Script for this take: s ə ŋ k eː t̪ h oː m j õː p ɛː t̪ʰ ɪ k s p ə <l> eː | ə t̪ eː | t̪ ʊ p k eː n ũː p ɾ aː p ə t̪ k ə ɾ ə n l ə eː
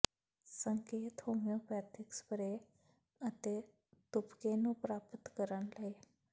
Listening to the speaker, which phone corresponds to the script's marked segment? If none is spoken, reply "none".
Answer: ɾ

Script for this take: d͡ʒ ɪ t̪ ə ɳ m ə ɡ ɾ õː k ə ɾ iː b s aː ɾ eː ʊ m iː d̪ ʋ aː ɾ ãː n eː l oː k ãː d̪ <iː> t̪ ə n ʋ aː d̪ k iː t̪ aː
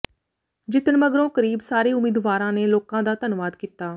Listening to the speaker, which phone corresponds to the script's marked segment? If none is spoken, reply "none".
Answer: aː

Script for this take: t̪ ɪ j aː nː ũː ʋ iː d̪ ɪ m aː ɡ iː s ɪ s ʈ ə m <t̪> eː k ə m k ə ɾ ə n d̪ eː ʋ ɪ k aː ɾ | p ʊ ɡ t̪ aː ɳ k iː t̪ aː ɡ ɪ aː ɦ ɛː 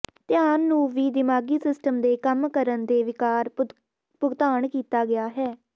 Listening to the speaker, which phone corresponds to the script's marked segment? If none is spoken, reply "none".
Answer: d̪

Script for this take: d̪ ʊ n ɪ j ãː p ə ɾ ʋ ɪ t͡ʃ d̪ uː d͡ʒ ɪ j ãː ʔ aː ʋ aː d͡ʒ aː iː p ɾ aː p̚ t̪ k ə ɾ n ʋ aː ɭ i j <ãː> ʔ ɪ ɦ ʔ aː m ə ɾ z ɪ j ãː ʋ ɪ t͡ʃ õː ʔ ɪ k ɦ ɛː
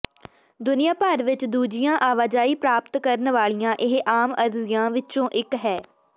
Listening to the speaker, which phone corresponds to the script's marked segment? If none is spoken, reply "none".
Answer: ãː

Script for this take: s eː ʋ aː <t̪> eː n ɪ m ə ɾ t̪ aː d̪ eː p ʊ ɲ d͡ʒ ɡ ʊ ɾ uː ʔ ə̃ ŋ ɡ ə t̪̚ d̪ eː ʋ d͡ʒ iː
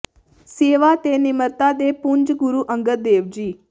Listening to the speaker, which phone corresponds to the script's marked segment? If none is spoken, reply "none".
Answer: t̪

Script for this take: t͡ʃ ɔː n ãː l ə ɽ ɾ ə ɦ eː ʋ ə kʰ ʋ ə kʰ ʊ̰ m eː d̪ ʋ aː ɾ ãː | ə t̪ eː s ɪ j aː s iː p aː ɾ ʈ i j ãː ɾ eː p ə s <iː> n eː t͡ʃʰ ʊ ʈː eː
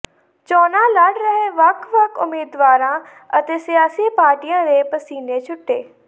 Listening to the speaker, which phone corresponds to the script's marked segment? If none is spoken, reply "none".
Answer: iː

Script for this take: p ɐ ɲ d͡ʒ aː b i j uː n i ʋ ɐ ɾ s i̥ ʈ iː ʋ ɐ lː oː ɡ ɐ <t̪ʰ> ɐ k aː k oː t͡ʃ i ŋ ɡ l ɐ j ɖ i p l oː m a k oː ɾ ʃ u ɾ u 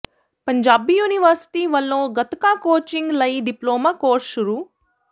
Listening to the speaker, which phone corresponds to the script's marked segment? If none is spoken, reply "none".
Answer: t̪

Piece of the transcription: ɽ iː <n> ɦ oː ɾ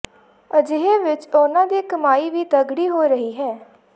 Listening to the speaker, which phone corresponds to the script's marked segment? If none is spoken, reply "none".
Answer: none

